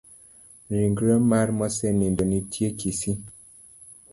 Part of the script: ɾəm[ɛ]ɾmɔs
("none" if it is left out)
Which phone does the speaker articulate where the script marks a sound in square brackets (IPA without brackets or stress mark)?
a